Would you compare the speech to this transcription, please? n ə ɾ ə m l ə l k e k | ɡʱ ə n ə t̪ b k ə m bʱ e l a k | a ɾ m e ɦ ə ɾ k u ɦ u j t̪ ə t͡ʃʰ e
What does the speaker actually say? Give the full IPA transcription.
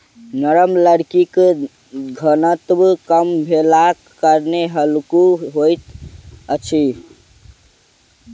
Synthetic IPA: n ə ɾ ə m l ə ɽ k i k | ɡʱ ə n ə t̪ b k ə m bʱ e l a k | ə ɾ n e ɦ ə l k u ɦ o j t̪ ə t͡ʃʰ i